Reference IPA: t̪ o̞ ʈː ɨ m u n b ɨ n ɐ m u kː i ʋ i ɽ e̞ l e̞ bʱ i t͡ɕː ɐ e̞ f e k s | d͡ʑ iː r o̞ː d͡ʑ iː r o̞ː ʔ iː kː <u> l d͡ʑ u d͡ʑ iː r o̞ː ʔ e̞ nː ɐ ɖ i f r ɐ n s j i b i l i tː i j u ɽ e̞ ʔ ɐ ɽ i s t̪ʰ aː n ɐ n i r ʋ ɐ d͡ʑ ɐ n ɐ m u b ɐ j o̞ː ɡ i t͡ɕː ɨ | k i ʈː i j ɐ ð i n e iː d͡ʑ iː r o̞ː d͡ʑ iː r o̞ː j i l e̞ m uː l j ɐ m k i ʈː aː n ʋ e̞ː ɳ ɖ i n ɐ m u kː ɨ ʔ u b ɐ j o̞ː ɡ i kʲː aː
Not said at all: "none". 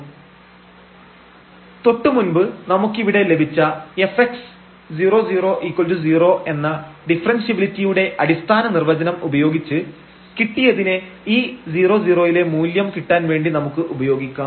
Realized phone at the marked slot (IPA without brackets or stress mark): o